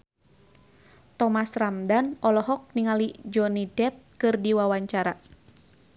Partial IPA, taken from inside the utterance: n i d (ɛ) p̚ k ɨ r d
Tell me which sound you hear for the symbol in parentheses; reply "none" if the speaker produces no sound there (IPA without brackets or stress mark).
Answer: ɛ